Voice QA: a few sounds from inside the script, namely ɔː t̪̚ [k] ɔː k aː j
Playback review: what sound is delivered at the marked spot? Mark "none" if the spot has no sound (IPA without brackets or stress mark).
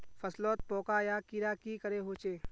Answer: p